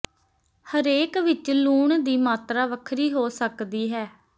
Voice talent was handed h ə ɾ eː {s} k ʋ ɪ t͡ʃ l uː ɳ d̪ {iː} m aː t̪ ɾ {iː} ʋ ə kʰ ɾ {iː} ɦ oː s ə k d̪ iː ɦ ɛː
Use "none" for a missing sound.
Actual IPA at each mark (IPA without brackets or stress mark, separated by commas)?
none, iː, aː, iː